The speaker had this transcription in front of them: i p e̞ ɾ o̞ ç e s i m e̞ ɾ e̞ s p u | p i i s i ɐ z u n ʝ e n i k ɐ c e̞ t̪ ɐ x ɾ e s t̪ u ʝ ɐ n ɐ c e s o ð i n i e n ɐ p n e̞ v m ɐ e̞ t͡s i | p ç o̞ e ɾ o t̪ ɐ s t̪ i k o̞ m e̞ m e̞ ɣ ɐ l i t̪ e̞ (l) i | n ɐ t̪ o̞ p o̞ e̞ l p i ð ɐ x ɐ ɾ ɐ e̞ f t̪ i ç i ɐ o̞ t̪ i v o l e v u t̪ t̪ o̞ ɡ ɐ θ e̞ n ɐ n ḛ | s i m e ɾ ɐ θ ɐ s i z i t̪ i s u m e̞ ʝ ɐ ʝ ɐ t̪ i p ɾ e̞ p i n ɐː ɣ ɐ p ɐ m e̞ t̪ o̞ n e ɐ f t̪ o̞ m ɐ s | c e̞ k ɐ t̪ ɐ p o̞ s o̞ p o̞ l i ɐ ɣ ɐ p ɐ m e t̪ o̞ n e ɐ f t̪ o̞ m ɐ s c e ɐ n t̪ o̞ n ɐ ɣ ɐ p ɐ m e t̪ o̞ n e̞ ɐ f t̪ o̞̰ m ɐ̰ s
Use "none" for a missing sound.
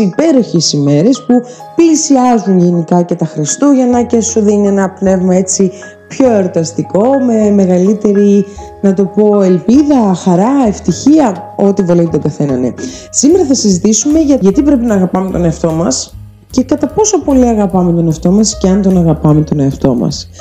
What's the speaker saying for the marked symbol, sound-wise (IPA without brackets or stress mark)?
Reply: ɾ